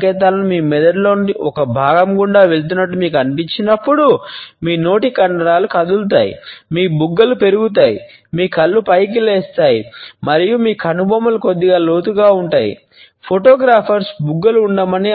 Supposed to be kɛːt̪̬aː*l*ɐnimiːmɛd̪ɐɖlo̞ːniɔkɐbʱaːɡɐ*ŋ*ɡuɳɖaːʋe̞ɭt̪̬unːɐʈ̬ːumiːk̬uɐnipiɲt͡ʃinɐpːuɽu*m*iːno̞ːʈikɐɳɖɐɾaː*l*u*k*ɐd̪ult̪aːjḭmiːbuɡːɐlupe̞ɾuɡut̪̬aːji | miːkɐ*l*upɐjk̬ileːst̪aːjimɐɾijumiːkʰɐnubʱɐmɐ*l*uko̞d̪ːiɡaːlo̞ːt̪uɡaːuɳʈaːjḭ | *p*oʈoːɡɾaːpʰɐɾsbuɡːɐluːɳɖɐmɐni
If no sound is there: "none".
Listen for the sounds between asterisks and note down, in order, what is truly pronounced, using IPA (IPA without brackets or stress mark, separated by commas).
l, m, m, l, k, lː, l, pʰ